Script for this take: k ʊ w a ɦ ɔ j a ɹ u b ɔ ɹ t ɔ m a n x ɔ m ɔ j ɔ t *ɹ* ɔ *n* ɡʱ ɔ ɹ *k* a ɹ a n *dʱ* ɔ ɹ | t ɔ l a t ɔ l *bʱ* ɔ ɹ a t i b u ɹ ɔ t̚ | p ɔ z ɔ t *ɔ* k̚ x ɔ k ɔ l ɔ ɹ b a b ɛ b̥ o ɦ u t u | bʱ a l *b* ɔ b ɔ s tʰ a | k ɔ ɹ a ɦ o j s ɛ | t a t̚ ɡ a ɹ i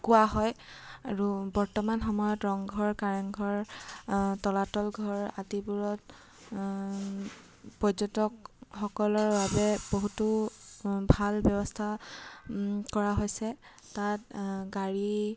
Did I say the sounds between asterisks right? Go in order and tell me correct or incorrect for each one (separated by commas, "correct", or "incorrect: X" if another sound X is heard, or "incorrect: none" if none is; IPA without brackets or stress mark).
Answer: correct, incorrect: ŋ, correct, incorrect: ɡʱ, incorrect: ɡʱ, correct, correct